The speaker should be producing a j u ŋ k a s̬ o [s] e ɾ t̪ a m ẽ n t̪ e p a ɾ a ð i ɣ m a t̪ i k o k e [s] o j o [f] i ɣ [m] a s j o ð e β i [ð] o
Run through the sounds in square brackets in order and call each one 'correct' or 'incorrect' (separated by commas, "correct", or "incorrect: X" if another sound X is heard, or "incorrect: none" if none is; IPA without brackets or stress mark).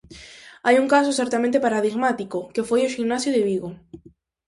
correct, incorrect: f, incorrect: ʃ, incorrect: n, incorrect: ɣ